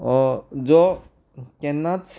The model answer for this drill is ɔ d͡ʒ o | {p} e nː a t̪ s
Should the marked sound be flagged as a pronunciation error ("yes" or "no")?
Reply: yes